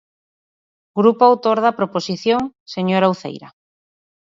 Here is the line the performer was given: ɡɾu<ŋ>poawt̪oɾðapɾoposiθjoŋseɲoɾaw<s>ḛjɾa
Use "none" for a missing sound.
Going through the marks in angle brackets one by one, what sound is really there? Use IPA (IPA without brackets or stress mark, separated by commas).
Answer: none, θ